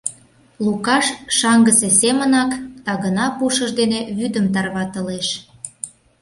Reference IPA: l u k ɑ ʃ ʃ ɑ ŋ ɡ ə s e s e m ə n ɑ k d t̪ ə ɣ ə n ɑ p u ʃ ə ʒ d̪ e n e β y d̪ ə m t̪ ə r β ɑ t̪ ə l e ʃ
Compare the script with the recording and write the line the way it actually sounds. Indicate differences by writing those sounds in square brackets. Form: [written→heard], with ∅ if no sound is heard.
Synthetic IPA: l u k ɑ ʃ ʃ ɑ ŋ ɡ ə s e s e m ə n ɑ k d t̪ [ə→ɑ] ɣ ə n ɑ p u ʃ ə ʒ d̪ e n e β y d̪ ə m t̪ [ə→ɑ] r β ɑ t̪ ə l e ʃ

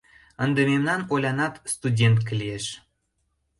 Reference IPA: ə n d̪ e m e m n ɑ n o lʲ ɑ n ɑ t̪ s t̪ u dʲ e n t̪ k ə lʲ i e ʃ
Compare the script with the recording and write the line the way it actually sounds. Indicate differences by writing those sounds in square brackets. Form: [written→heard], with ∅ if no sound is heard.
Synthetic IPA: ə n d̪ e m e m n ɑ n o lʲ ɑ n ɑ t̪ s t̪ u dʲ e n t̪ k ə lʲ i e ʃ

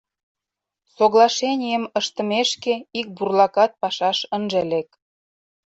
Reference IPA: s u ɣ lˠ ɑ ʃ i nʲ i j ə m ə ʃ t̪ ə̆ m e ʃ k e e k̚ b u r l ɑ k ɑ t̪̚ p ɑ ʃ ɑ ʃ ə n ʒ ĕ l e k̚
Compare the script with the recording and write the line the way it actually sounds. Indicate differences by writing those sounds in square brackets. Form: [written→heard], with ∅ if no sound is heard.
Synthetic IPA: s [u→o] ɣ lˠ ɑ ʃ [i→e] nʲ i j ə m ə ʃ t̪ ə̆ m e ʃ k e [e→i] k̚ b u r l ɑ k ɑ t̪̚ p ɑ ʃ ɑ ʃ ə n ʒ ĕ l e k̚

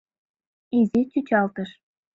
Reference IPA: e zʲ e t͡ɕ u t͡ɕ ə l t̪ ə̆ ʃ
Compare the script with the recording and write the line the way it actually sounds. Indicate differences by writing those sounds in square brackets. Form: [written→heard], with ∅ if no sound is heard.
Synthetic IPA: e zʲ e t͡ɕ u t͡ɕ [ə→ɑ] l t̪ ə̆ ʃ

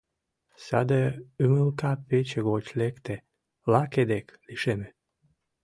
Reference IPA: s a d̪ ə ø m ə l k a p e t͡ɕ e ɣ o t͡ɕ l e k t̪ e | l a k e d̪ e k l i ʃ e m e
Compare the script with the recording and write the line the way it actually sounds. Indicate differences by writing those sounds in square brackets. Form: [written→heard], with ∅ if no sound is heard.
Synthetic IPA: s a d̪ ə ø m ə l k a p e t͡ɕ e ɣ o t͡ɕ l e k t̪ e | l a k e d̪ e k l i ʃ e m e

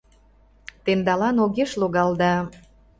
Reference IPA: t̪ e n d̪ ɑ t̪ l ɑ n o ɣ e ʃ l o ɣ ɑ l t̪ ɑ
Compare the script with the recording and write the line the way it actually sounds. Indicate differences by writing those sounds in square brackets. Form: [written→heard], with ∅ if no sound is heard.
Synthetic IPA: t̪ e n d̪ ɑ [t̪→∅] l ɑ n o ɣ e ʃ l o ɣ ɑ l [t̪→d̪] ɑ

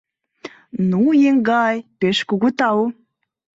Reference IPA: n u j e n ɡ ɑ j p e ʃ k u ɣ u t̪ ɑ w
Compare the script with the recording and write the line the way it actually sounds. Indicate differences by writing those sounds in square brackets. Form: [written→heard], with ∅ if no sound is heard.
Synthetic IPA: n u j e [n→ŋ] ɡ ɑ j p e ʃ k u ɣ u t̪ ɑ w

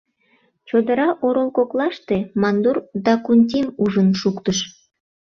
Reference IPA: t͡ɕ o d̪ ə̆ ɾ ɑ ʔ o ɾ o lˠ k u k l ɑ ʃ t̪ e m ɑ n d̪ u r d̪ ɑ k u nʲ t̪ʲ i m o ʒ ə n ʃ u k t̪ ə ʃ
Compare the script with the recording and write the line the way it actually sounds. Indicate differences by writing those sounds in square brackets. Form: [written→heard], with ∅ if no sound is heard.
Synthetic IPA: t͡ɕ o d̪ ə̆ ɾ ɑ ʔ o ɾ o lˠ k [u→o] k l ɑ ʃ t̪ e m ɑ n d̪ u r d̪ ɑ k u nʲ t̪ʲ i m [o→u] ʒ ə n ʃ u k t̪ ə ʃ

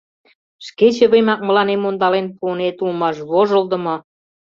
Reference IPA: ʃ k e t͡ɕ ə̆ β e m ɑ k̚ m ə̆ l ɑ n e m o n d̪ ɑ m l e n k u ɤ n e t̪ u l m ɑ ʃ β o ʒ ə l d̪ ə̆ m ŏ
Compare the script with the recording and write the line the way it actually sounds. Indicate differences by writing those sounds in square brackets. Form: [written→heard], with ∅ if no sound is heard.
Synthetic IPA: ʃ k e t͡ɕ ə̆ β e m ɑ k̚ m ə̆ l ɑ n e m o n d̪ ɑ [m→∅] l e n [k→p] u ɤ n e t̪ u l m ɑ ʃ β o ʒ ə l d̪ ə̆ m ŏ

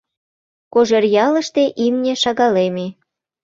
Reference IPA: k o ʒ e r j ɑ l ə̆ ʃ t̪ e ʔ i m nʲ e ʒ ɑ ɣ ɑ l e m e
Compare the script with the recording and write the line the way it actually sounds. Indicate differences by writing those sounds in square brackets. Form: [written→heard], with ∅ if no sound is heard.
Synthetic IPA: k o ʒ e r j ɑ l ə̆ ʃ t̪ e ʔ i m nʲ e [ʒ→ʃ] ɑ ɣ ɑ l e m e

